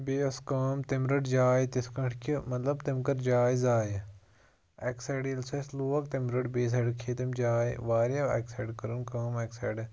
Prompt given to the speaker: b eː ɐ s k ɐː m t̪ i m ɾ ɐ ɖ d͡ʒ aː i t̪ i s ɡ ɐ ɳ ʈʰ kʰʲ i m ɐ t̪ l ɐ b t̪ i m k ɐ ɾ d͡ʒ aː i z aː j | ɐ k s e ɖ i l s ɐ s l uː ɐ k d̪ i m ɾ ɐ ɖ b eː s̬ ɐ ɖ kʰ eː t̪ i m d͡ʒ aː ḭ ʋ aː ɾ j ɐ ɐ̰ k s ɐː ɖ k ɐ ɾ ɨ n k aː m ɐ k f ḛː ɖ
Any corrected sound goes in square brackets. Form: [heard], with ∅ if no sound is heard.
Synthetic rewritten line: b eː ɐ s k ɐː m t̪ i m ɾ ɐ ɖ d͡ʒ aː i t̪ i s [k] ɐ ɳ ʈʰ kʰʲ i m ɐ t̪ l ɐ b t̪ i m k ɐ ɾ d͡ʒ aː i z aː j | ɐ k s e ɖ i l s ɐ s l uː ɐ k [t̪] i m ɾ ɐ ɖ b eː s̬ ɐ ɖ kʰ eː t̪ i m d͡ʒ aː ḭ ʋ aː ɾ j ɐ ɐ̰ k s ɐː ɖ k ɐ ɾ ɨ n k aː m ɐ k [s] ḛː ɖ